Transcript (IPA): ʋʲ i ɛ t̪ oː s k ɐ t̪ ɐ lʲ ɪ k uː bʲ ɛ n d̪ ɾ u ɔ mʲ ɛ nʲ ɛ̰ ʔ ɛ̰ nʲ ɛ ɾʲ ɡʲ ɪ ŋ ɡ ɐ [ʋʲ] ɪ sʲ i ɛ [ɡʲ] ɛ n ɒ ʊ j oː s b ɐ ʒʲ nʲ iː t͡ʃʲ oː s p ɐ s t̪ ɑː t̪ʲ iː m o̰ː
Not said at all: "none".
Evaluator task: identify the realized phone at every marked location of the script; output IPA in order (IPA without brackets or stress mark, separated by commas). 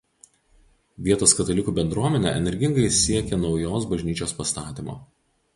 none, kʲ